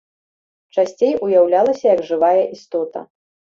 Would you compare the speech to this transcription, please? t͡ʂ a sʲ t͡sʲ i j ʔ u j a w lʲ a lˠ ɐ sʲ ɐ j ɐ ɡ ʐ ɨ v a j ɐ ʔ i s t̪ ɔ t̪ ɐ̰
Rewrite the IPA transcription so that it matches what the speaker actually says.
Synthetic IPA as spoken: t͡ʂ a sʲ t͡sʲ e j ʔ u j a w lʲ a lˠ ɐ sʲ ɐ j ɐ ɡ ʐ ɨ v a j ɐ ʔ i s t̪ ɔ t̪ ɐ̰

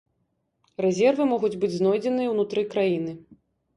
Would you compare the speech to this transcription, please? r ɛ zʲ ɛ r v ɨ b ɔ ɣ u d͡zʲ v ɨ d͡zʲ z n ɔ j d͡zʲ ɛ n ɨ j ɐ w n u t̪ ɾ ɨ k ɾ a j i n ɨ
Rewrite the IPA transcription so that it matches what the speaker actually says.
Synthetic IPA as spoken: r ɛ zʲ ɛ r v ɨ m ɔ ɣ u d͡zʲ b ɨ d͡zʲ z n ɔ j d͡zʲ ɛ n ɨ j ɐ w n u t̪ ɾ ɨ k ɾ a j i n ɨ

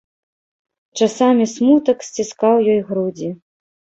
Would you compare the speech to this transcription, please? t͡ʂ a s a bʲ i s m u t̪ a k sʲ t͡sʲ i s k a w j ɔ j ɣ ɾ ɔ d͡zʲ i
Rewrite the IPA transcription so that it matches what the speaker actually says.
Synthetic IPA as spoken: t͡ʂ a s a mʲ i s m u t̪ ɐ k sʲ t͡sʲ i s k a w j ɔ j ɣ ɾ u d͡zʲ i

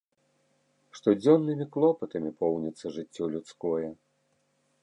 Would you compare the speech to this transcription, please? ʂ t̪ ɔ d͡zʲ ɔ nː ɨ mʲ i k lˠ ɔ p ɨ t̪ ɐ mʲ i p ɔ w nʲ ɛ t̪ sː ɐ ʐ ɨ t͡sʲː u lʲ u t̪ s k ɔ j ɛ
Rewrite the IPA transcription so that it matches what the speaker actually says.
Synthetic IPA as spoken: ʂ t̪ ɔ d͡zʲ ɔ nː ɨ mʲ i k lˠ ɔ p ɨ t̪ ɐ mʲ i p ɔ w nʲ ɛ t̪ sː ɐ ʐ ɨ t͡sʲː ɔ lʲ u t̪ s k ɔ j ɛ

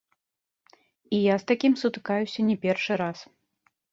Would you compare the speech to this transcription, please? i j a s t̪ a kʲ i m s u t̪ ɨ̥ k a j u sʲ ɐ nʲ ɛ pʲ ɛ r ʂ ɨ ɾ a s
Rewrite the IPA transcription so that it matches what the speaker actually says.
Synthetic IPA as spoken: i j a s t̪ a kʲ i m s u t̪ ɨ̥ k a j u sʲ ɐ nʲ ɛ pʲ ɛ r ʂ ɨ ɾ a s

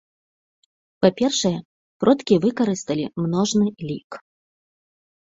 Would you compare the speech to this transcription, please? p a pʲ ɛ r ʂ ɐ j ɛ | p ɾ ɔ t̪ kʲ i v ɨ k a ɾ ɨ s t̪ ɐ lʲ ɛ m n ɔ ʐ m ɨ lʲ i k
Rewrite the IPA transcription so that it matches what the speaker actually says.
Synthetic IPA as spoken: p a pʲ ɛ r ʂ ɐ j ɛ | p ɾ ɔ t̪ kʲ i v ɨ k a ɾ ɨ s t̪ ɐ lʲ i m n ɔ ʐ n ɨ lʲ i k

